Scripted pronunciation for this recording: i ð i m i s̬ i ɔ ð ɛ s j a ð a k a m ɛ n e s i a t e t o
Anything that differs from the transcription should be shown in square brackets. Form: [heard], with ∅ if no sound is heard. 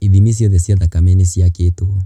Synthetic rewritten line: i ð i m i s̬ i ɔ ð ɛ s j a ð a k a m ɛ n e s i a [k] e t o